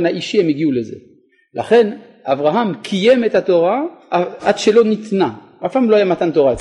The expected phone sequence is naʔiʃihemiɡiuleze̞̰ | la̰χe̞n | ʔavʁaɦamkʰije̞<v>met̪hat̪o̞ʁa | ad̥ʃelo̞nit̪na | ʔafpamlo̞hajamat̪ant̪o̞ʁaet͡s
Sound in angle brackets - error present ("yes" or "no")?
yes